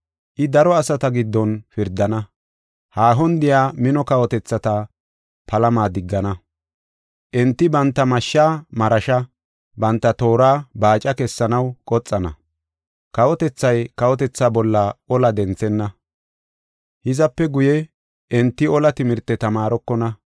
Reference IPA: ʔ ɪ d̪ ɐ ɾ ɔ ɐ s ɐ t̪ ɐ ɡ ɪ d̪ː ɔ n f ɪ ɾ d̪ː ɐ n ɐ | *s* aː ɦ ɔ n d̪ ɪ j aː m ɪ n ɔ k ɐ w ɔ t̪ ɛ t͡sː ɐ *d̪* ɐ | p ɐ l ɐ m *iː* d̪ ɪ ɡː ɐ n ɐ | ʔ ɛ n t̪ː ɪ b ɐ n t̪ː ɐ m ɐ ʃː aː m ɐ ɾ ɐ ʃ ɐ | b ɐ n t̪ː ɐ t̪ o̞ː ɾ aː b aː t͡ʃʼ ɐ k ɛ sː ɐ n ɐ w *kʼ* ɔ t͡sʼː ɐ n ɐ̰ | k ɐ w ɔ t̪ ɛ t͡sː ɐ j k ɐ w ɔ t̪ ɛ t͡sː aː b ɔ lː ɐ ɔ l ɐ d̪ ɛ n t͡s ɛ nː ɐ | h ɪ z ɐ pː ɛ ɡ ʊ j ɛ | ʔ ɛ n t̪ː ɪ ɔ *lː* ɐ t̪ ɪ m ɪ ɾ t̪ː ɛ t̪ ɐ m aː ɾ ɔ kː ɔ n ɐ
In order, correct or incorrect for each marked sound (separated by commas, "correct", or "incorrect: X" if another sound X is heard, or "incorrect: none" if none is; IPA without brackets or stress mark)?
incorrect: h, incorrect: t̪, incorrect: aː, correct, incorrect: l